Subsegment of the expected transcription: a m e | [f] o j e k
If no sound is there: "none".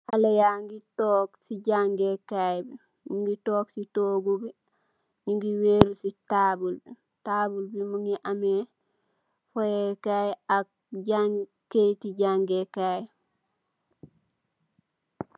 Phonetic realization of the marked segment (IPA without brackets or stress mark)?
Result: f